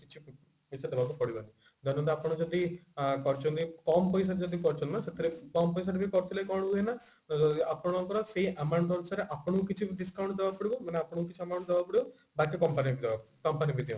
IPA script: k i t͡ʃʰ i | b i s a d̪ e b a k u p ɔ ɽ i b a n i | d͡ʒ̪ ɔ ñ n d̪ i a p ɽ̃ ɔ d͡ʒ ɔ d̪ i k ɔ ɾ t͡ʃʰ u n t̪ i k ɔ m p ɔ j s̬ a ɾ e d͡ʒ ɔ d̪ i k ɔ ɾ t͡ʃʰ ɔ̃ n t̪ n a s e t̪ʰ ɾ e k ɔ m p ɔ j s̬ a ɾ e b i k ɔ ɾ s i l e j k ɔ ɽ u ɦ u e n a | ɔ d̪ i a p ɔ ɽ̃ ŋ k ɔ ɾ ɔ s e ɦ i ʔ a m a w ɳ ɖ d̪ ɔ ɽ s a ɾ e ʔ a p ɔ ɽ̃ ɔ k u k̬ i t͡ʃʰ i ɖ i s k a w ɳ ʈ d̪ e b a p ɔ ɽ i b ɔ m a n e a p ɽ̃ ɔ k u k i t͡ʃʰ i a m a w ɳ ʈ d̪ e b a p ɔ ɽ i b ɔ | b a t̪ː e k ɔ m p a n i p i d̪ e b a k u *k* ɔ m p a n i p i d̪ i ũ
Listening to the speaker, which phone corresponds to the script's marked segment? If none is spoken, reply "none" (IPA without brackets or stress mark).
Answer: k